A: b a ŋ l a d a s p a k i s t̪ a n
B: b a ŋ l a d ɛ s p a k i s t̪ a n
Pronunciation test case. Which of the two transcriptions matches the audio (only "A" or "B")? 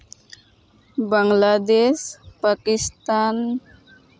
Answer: B